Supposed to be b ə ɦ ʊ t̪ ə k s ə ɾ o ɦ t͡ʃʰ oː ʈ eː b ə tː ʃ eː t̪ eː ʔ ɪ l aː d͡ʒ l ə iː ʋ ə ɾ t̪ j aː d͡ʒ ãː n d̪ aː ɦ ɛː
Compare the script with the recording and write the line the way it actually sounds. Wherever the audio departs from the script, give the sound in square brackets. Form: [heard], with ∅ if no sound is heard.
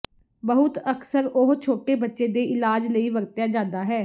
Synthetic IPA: b ə ɦ ʊ t̪ ə k s ə ɾ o ɦ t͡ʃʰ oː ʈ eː b ə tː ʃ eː [d̪] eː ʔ ɪ l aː d͡ʒ l ə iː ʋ ə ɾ t̪ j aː d͡ʒ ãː n d̪ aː ɦ ɛː